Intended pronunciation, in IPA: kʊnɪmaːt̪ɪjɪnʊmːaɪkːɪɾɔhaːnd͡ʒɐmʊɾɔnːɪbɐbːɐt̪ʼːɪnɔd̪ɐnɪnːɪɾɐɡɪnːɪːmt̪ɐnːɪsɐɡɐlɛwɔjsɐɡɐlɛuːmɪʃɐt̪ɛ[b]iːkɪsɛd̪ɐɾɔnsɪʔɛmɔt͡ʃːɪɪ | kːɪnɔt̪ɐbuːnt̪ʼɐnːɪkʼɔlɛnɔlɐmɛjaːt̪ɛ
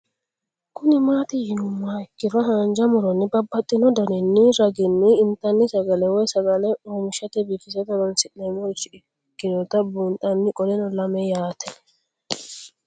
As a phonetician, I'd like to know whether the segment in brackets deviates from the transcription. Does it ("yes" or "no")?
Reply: no